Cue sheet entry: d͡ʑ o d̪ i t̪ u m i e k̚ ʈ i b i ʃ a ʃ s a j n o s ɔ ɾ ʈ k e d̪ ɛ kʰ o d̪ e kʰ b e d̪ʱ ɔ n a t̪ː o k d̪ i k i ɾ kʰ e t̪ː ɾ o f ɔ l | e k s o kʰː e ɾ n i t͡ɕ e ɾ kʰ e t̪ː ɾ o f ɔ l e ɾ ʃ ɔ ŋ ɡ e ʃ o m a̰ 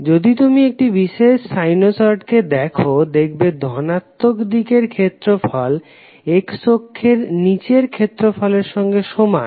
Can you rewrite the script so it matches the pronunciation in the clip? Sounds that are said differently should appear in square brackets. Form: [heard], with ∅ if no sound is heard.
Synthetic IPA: d͡ʑ o d̪ i t̪ u m i e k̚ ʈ i b i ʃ [e] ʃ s a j n o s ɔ ɾ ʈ k e d̪ ɛ kʰ o d̪ e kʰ b e d̪ʱ ɔ n a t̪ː o k d̪ i k [e] ɾ kʰ e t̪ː ɾ o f ɔ l | e k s o kʰː e ɾ n i t͡ɕ e ɾ kʰ e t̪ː ɾ o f ɔ l e ɾ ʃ ɔ ŋ ɡ e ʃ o m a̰